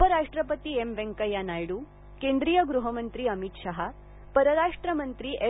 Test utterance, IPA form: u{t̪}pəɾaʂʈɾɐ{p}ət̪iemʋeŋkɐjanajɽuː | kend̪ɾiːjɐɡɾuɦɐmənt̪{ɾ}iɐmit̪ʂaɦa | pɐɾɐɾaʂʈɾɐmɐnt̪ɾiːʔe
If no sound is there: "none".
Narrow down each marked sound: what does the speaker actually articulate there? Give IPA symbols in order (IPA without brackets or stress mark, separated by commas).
none, p, ɾ